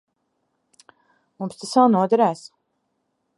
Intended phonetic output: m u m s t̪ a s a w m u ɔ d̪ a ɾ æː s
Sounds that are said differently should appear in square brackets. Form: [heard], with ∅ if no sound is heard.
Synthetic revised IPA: m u m s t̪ a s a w [n] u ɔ d̪ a ɾ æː s